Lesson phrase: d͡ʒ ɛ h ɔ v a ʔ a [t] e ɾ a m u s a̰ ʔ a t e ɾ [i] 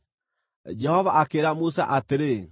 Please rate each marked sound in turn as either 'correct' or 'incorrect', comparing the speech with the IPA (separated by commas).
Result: incorrect, incorrect